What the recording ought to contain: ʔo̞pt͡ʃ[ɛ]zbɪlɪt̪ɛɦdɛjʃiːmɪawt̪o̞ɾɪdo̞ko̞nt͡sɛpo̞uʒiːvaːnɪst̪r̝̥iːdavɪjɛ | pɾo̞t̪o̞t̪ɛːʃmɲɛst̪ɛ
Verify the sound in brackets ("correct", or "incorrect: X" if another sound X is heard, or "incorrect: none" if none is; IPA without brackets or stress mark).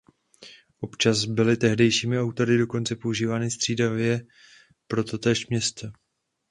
incorrect: a